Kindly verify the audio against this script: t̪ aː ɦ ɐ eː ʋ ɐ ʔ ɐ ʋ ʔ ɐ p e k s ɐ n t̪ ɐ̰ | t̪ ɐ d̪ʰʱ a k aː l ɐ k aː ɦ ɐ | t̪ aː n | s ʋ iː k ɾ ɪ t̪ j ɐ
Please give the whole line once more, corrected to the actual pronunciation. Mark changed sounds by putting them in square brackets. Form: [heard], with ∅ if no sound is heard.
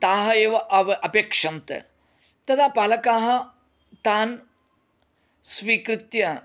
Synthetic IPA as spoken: t̪ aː ɦ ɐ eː ʋ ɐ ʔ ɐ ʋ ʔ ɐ p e k [ʂ] ɐ n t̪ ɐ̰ | t̪ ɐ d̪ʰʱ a [p] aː l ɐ k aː ɦ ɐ | t̪ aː n | s ʋ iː k ɾ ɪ t̪ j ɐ